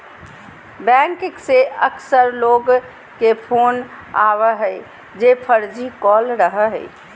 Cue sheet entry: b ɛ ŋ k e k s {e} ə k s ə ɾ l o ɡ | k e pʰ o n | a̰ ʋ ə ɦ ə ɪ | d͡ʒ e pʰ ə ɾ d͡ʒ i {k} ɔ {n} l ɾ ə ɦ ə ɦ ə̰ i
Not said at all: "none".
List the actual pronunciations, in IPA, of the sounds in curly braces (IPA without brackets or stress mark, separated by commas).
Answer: e, k, none